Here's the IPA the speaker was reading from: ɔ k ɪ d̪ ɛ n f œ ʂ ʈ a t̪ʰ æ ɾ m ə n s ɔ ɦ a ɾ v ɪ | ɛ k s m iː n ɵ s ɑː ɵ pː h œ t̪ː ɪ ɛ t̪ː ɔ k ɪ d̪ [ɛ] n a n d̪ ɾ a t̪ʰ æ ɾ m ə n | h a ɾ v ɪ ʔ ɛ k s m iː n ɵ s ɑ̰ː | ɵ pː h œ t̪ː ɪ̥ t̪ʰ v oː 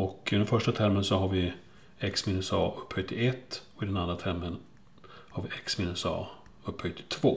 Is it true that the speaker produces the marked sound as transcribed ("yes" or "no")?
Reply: yes